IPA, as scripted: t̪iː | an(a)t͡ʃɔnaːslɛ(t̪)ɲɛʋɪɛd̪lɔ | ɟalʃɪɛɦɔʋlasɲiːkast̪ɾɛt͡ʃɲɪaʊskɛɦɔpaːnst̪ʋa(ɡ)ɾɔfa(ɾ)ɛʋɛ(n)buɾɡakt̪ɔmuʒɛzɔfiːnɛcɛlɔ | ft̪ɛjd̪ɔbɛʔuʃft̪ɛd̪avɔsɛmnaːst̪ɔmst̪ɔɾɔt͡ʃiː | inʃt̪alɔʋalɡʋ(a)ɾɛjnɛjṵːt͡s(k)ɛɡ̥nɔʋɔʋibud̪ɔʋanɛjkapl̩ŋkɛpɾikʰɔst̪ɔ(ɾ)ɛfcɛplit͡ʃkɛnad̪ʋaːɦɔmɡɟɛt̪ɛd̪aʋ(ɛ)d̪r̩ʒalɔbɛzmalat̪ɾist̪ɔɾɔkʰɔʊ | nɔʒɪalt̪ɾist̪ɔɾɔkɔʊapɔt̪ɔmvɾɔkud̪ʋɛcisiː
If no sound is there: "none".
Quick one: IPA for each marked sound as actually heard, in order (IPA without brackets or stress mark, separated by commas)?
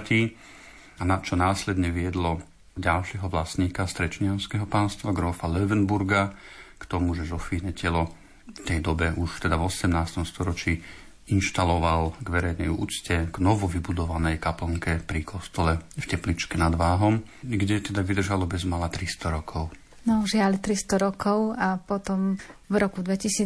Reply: a, d̪, ɡ, l, n, ɛ, c, l, i